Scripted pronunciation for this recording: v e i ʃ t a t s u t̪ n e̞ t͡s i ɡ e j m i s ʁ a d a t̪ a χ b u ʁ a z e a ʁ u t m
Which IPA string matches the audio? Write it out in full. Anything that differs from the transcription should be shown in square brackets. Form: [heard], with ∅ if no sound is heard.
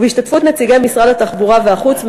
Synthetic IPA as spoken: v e i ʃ t a t [f] u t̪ n e̞ t͡s i ɡ e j m i s ʁ a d a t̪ a χ b u ʁ a [v] e a [χ] u [t͡s] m